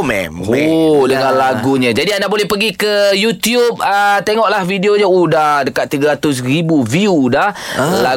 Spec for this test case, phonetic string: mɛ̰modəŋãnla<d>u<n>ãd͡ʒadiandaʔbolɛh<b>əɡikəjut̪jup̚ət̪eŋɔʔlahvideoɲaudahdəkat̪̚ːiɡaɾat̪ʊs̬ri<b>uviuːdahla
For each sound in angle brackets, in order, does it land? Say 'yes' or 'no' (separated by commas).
no, no, no, yes